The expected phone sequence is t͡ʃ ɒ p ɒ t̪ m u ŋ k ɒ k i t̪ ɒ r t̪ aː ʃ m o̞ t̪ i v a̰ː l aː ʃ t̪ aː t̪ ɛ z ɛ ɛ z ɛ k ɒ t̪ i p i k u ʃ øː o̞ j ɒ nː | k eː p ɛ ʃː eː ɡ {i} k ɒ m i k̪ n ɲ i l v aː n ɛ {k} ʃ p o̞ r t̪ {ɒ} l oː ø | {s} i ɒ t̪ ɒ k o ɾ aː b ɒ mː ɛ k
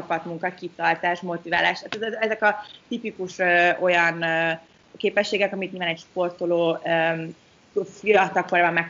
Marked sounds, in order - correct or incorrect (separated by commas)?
incorrect, incorrect, incorrect, incorrect